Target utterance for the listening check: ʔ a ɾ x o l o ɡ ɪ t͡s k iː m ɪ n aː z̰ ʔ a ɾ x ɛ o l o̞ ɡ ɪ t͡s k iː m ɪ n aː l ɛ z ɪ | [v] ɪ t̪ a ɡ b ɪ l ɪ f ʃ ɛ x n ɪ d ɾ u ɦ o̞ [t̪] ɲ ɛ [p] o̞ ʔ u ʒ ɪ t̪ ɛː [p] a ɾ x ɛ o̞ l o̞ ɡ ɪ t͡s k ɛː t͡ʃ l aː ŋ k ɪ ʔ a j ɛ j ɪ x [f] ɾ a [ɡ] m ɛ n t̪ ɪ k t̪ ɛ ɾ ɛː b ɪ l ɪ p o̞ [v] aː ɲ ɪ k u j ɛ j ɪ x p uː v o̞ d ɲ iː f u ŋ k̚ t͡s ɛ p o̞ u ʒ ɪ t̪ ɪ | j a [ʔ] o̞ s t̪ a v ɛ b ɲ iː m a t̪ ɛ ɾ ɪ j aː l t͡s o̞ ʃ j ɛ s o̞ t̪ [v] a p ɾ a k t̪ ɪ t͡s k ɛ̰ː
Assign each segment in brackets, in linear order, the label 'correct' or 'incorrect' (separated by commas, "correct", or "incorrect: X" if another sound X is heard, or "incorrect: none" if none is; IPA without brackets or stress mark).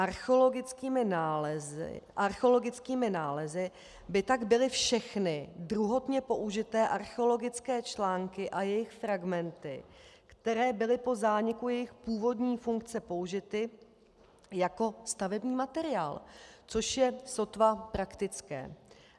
incorrect: b, correct, correct, incorrect: ʔ, correct, correct, incorrect: z, incorrect: k, correct